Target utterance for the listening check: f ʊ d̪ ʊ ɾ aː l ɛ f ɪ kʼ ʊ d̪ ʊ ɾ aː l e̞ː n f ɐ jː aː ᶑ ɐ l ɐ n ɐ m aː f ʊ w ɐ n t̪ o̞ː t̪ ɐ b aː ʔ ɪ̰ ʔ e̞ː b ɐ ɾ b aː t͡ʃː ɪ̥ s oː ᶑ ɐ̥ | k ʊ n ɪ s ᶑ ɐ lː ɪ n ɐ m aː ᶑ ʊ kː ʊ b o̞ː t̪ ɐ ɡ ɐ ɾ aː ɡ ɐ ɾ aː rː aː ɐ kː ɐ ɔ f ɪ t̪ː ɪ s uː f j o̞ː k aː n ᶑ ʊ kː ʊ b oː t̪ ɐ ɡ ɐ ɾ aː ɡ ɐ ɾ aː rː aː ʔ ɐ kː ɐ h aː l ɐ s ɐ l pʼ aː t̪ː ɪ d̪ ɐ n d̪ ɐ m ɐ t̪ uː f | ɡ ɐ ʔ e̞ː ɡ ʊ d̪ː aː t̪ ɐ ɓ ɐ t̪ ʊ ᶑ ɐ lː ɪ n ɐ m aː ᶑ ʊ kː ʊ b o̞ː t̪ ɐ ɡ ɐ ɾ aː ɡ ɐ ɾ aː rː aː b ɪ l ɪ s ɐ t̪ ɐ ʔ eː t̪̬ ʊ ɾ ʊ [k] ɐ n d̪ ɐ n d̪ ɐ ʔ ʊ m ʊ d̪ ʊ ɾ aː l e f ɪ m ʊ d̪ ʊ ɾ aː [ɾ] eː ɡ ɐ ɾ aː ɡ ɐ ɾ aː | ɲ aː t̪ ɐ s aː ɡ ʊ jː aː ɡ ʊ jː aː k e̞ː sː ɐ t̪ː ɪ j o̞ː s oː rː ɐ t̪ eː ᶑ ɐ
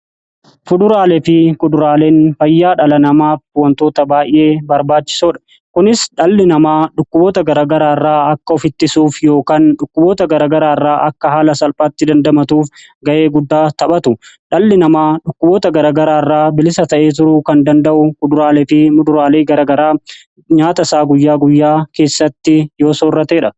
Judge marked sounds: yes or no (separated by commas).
yes, no